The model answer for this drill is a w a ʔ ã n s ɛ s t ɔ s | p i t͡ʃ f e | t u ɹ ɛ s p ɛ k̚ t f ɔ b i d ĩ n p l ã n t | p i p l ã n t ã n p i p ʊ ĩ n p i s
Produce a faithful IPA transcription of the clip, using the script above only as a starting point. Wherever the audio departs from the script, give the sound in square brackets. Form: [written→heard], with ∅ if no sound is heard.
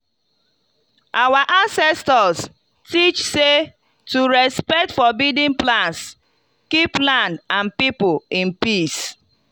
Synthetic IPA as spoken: a w a ʔ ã n s ɛ s t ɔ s | [p→t] i t͡ʃ [f→s] e | t u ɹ ɛ s p ɛ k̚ t f ɔ b i d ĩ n p l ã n [t→s] | [p→k] i p l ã n [t→d] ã n p i p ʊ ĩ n p i s